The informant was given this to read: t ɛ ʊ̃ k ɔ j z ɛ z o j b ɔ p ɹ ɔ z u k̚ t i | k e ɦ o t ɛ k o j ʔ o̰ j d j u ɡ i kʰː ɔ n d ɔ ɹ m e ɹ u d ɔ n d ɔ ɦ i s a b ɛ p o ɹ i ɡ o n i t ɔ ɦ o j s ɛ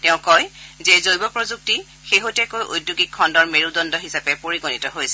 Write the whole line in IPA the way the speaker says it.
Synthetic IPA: t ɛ ʊ̃ k ɔ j z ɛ z o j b ɔ p ɹ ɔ z u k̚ t i | x e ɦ o t ɛ k o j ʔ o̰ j d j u ɡ i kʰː ɔ n d ɔ ɹ m e ɹ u d ɔ n d ɔ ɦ i s a p ɛ p o ɹ i ɡ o n i t ɔ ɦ o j s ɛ